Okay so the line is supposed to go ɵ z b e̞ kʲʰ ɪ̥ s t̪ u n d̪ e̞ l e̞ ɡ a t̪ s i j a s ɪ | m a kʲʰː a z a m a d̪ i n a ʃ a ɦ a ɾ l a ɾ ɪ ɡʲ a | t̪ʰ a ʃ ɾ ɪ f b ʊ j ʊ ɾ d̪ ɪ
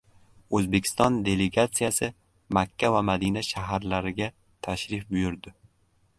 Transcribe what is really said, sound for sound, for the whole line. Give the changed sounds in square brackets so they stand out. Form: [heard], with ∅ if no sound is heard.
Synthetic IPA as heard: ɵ z b e̞ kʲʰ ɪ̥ s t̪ [ɒ] n d̪ e̞ l e̞ ɡ a t̪ s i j a s ɪ | m a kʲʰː a [v] a m a d̪ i n a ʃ a ɦ a ɾ l a ɾ ɪ ɡʲ a | t̪ʰ a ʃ ɾ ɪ f b ʊ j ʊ ɾ d̪ ɪ